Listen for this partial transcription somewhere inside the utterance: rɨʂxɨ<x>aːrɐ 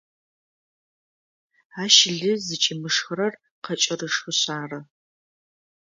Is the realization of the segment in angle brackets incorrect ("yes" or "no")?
yes